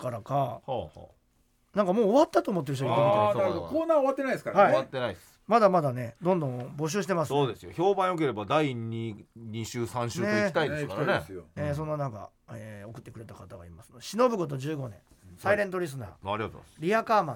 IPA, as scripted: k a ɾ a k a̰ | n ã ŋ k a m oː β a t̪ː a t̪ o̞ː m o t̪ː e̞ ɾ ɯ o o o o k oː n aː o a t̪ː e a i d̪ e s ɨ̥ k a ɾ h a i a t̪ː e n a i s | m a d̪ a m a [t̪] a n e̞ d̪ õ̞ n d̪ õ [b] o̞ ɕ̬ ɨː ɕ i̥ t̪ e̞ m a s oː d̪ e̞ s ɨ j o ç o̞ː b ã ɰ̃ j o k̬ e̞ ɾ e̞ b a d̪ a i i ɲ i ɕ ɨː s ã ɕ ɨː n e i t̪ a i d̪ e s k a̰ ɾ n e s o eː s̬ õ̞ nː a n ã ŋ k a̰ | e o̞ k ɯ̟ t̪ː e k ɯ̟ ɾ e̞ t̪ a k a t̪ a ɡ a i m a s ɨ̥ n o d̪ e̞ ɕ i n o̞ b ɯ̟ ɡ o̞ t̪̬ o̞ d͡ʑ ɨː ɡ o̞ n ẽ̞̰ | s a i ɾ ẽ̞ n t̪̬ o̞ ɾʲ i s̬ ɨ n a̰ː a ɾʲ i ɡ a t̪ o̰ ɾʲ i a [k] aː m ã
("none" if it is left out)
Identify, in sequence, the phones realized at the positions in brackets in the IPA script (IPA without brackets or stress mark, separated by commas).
d̪, b, k